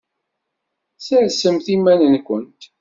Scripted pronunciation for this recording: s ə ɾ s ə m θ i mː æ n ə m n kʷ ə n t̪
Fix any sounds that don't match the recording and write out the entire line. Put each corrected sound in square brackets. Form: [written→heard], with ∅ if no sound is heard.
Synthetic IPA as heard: s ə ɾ s ə m θ i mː æ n ə [m→∅] n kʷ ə n t̪